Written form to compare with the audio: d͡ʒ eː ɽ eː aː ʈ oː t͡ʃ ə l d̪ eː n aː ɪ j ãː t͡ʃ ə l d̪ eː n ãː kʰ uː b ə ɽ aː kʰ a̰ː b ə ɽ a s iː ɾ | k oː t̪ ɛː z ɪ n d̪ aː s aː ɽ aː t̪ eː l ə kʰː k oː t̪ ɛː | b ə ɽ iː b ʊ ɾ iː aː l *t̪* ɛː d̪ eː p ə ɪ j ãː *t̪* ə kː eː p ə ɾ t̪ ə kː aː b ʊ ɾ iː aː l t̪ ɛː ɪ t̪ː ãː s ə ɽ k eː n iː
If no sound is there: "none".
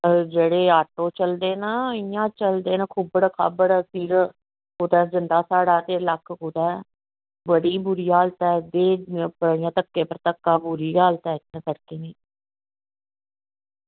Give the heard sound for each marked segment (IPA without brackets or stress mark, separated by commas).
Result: t̪, t̪